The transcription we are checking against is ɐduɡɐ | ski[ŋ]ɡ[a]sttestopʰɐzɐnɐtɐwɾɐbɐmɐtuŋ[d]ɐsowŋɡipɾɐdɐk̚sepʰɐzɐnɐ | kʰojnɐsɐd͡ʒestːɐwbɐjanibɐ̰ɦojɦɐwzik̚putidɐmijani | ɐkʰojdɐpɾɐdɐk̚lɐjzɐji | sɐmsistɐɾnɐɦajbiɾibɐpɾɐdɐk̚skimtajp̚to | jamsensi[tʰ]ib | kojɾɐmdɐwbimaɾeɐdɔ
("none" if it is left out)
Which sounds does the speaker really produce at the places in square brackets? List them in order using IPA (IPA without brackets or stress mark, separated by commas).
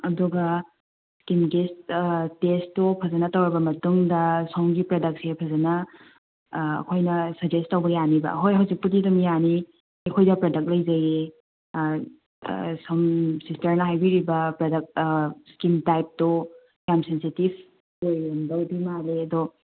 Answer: m, e, d, t